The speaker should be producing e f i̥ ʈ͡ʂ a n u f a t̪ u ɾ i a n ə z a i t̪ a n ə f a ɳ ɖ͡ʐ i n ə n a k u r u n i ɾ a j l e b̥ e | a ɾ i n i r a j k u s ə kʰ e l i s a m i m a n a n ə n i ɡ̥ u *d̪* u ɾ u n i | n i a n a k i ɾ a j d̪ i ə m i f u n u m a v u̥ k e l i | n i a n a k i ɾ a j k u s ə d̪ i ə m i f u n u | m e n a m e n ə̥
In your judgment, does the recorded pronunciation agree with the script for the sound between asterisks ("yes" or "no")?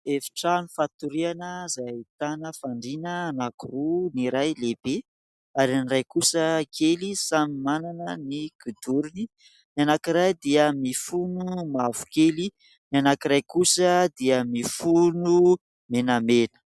yes